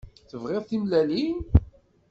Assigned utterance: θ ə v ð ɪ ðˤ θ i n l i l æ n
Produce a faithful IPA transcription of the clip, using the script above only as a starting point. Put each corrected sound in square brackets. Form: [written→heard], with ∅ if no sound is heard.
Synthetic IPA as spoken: θ ə v [ð→ʁ] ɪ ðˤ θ i [n→m] l [i→æ] l [æ→i] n